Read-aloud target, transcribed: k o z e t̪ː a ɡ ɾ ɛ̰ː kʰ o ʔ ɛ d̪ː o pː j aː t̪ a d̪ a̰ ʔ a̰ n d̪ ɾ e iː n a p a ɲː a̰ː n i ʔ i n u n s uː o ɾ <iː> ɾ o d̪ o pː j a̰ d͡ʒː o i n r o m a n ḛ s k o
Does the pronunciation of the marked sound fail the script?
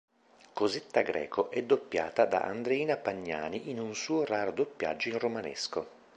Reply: yes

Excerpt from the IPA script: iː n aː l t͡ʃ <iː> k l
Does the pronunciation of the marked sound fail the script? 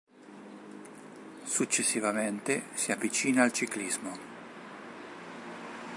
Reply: yes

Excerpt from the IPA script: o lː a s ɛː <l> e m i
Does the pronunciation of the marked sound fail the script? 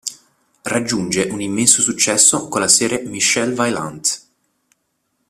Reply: yes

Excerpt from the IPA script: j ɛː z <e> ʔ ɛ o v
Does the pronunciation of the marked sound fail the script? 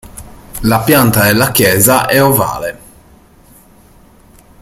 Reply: yes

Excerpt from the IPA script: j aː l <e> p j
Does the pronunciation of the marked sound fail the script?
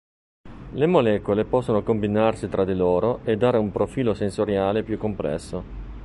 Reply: no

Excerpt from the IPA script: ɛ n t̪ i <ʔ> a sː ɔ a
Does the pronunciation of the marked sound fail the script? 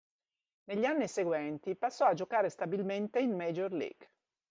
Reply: yes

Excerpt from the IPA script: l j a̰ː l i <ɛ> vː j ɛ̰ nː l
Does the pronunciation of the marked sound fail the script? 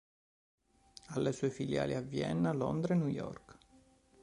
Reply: yes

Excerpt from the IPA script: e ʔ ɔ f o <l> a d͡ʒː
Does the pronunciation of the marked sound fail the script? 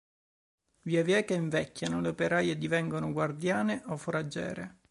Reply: yes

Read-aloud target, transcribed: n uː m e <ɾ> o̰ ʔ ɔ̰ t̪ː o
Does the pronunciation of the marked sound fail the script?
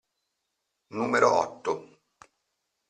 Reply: no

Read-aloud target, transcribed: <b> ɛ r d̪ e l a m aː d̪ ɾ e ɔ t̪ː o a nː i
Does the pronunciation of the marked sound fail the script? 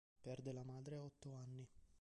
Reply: yes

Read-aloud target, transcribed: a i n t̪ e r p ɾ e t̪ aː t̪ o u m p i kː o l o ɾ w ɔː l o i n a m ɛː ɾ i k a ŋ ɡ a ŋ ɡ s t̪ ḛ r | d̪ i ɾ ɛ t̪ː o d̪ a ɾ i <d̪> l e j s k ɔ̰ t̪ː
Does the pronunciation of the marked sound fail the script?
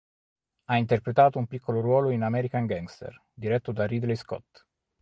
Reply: no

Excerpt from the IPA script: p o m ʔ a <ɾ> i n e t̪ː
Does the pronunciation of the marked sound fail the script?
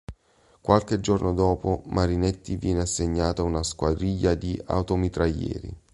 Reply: no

